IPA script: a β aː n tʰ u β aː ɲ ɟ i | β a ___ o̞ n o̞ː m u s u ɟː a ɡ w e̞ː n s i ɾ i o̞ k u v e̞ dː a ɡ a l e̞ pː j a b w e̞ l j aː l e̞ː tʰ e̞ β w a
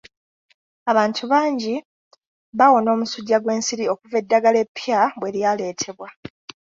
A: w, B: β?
A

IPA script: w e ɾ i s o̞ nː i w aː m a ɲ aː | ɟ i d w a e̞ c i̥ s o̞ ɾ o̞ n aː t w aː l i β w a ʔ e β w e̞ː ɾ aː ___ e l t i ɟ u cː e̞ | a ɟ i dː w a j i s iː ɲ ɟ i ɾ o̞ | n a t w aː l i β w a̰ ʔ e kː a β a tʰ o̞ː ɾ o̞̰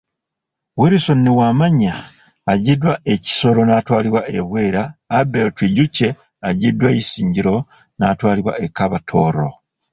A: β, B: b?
B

